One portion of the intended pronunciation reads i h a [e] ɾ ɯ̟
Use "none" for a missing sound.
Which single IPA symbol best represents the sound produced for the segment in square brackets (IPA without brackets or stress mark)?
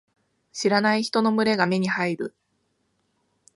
i